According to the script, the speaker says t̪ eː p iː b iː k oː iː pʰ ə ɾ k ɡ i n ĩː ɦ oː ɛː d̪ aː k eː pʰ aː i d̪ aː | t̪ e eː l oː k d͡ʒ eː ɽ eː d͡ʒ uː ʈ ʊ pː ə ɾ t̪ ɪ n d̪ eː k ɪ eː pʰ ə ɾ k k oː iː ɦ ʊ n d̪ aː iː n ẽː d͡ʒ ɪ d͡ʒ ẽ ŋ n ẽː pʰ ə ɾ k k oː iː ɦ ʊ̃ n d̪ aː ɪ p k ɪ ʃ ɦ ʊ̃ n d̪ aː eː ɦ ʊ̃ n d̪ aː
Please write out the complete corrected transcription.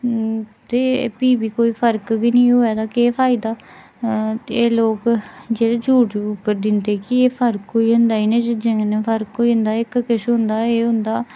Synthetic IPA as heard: t̪ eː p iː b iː k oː iː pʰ ə ɾ k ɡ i n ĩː ɦ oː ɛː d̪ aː k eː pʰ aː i d̪ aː | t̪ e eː l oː k d͡ʒ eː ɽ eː d͡ʒ uː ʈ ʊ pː ə ɾ d̪ ɪ n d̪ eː k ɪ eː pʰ ə ɾ k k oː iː ɦ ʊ n d̪ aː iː n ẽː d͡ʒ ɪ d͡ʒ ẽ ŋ n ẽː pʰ ə ɾ k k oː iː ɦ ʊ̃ n d̪ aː ɪ k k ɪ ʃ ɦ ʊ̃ n d̪ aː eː ɦ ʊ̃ n d̪ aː

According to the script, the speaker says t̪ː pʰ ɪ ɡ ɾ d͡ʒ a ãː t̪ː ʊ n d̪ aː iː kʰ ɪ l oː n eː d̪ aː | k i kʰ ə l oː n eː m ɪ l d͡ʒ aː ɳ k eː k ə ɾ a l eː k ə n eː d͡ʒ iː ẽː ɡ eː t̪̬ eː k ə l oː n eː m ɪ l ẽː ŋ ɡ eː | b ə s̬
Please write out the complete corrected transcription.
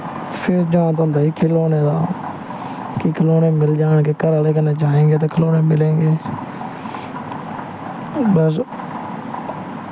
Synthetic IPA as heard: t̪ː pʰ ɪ ɾ d͡ʒ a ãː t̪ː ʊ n d̪ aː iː kʰ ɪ l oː n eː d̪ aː | k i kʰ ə l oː n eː m ɪ l d͡ʒ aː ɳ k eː k ə ɾ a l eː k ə n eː d͡ʒ aː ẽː ɡ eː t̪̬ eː kʰ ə l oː n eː m ɪ l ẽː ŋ ɡ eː | b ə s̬

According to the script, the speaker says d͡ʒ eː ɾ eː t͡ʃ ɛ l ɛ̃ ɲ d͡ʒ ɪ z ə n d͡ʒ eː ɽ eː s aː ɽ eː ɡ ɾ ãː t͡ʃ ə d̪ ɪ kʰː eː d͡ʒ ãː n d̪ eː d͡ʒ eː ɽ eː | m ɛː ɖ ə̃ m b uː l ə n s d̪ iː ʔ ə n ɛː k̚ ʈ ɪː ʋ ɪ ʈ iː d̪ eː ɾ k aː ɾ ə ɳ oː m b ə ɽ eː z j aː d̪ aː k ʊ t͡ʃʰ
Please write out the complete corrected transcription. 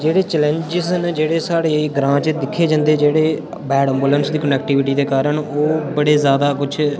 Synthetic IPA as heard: d͡ʒ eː ɽ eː t͡ʃ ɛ l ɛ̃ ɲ d͡ʒ ɪ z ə n d͡ʒ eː ɽ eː s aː ɽ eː ɡ ɾ ãː t͡ʃ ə d̪ ɪ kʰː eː d͡ʒ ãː n d̪ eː d͡ʒ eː ɽ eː | b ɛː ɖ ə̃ m b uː l ə n s d̪ iː k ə n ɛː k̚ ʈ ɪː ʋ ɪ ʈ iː d̪ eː k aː ɾ ə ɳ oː b ə ɽ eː z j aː d̪ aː k ʊ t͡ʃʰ

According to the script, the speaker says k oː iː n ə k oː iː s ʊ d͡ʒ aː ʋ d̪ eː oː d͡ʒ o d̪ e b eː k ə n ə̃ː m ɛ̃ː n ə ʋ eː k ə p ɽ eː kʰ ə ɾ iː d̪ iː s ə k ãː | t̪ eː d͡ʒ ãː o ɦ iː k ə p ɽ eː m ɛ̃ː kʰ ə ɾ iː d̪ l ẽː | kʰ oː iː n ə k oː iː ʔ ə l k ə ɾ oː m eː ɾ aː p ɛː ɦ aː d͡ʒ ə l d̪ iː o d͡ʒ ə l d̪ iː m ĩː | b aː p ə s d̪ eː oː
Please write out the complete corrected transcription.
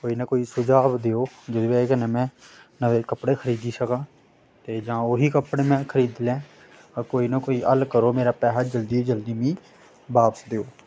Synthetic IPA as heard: k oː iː n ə k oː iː s ʊ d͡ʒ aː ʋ d̪ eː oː d͡ʒ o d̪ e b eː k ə n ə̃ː m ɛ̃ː n ə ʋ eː k ə p ɽ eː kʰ ə ɾ iː d̪ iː s ə k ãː | t̪ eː d͡ʒ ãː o ɦ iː k ə p ɽ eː m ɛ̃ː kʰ ə ɾ iː d̪ l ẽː | k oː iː n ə k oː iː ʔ ə l k ə ɾ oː m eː ɾ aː p ɛː ɦ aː d͡ʒ ə l d̪ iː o d͡ʒ ə l d̪ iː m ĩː | b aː p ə s d̪ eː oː

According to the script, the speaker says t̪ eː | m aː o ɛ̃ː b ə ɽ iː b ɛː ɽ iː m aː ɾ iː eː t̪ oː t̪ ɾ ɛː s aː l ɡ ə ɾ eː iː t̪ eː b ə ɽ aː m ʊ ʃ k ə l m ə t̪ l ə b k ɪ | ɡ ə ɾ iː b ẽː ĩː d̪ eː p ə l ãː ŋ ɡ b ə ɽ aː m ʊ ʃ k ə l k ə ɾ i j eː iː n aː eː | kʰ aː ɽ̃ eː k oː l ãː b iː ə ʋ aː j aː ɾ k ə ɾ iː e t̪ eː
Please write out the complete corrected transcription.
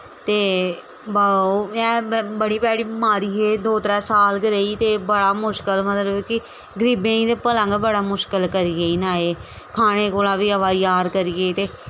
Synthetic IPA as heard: t̪ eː | b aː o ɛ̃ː b ə ɽ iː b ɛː ɽ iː m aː ɾ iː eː d̪ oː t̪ ɾ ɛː s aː l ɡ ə ɾ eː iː t̪ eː b ə ɽ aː m ʊ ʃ k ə l m ə t̪ l ə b k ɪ | ɡ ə ɾ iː b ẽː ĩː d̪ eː p ə l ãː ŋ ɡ b ə ɽ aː m ʊ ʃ k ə l k ə ɾ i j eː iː n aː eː | kʰ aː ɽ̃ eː k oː l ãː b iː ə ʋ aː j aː ɾ k ə ɾ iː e t̪ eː

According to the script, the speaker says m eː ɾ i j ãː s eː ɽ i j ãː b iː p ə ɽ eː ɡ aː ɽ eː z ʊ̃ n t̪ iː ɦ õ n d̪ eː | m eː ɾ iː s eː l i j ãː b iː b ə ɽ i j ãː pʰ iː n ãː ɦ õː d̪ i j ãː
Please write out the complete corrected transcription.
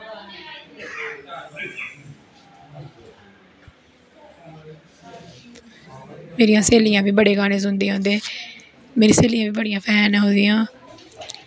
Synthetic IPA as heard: m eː ɾ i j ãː s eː l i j ãː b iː b ə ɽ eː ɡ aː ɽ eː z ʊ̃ n d̪ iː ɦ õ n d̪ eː | m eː ɾ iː s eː l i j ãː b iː b ə ɽ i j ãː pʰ ɛː n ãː ɦ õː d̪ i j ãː

